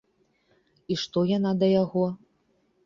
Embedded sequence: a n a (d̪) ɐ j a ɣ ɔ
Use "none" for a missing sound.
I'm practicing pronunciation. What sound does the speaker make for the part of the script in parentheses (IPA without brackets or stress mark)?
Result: d̪